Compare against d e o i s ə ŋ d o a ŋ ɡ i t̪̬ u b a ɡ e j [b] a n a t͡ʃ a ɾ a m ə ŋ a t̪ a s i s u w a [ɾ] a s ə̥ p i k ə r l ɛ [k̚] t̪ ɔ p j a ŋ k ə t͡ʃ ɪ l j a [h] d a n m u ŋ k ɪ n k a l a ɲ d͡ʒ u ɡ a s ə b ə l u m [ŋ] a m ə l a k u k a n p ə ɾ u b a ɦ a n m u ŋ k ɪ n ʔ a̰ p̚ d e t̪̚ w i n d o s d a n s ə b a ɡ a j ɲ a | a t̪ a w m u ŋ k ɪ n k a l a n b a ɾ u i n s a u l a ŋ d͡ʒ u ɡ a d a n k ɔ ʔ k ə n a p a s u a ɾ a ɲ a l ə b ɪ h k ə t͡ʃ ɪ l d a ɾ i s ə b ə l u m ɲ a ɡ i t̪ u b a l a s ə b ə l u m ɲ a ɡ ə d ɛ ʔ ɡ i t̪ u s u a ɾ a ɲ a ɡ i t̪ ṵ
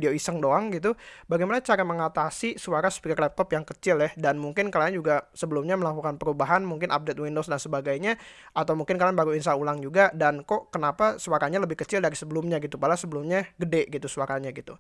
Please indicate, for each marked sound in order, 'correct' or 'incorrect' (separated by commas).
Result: incorrect, correct, incorrect, correct, incorrect